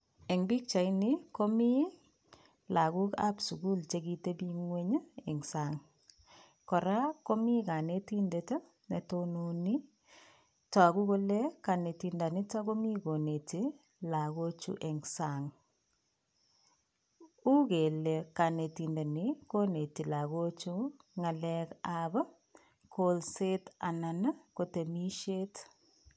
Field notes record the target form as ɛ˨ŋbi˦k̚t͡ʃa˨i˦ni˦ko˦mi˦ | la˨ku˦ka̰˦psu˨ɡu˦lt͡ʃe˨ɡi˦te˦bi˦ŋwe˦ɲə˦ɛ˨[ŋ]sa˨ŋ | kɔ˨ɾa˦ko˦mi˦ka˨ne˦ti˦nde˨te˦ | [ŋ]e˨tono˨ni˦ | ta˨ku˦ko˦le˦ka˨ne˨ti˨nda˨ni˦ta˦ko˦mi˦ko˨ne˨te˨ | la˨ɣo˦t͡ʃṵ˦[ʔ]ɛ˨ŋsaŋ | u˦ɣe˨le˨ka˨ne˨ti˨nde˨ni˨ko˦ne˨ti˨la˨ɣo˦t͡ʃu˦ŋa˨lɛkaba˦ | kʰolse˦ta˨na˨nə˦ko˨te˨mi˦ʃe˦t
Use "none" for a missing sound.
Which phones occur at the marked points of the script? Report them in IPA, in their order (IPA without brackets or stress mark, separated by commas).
ŋ, n, ʔ